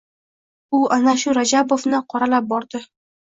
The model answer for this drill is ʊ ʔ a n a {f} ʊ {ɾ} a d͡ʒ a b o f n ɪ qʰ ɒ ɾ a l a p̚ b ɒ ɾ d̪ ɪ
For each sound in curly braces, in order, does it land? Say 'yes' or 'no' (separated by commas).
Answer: no, yes